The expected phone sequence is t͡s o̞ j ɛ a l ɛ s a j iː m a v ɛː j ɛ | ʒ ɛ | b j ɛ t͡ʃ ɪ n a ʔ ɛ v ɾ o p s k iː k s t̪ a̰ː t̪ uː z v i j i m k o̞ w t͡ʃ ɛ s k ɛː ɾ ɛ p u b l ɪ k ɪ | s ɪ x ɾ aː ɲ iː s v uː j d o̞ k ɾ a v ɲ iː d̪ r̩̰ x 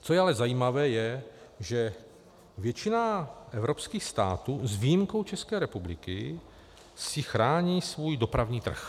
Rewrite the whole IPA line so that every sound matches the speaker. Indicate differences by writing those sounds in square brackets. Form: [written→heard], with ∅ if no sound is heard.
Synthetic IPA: t͡s o̞ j ɛ a l ɛ [s→z] a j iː m a v ɛː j ɛ | ʒ ɛ | [b→v] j ɛ t͡ʃ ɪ n a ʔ ɛ v ɾ o p s k iː [k→x] s t̪ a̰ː t̪ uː z v i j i m k o̞ w t͡ʃ ɛ s k ɛː ɾ ɛ p u b l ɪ k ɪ | s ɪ x ɾ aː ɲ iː s v uː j d o̞ [k→p] ɾ a v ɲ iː [d̪→t̪] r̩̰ x